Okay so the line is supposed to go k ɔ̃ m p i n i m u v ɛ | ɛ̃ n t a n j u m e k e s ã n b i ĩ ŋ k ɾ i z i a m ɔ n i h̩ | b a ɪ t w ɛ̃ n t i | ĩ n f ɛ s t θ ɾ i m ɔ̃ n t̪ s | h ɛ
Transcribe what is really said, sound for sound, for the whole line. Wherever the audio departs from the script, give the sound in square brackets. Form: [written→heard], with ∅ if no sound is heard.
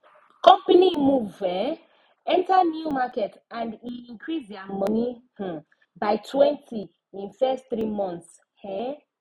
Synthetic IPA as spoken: k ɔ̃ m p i n i m u v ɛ | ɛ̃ n t a n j u m [e→a] k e [s→t] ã n [b→d] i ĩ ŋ k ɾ i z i a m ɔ n i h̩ | b a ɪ t w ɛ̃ n t i | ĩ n f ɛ s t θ ɾ i m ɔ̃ n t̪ s | h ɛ